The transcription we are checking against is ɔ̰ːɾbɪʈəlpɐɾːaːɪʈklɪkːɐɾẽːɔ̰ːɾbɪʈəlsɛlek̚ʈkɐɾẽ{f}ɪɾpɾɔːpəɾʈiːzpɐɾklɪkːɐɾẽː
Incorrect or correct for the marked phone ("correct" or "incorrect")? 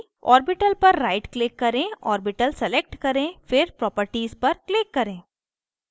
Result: correct